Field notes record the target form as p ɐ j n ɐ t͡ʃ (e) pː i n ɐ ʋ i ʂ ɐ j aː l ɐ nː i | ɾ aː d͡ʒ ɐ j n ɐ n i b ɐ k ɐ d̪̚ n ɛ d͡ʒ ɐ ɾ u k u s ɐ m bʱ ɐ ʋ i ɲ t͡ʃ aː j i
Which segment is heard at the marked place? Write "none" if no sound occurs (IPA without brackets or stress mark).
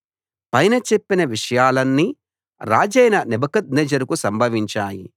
e